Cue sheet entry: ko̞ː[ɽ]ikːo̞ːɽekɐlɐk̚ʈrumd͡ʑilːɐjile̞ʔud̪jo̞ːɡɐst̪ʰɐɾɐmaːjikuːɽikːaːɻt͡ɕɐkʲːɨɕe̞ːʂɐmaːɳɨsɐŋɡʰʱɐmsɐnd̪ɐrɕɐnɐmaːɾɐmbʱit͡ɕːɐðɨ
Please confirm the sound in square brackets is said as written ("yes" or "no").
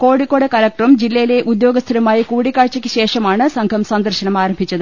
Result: yes